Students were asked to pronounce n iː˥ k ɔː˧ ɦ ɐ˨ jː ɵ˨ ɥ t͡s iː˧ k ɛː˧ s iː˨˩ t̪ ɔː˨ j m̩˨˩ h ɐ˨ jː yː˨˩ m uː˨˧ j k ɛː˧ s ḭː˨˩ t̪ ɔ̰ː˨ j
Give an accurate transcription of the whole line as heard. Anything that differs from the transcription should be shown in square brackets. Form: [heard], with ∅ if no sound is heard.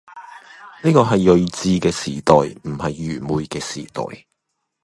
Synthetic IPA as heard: n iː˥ k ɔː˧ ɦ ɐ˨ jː ɵ˨ ɥ t͡s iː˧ k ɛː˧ s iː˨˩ t̪ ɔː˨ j m̩˨˩ h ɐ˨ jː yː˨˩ m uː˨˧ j k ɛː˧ s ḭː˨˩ t̪ ɔ̰ː˨ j

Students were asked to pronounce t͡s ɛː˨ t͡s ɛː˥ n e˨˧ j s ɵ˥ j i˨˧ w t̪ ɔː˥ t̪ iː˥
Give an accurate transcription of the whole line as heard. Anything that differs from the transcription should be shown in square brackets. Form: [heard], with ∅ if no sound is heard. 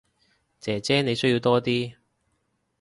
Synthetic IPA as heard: t͡s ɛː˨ t͡s ɛː˥ n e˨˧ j s ɵ˥ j i˨˧ w t̪ ɔː˥ t̪ iː˥

